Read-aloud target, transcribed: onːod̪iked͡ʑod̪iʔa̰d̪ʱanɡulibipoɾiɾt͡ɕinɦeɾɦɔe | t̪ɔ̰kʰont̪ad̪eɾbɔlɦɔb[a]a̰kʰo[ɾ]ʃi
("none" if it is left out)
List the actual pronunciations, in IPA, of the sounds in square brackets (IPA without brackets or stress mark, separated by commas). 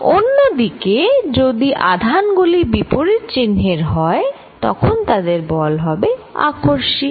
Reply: e, ɾ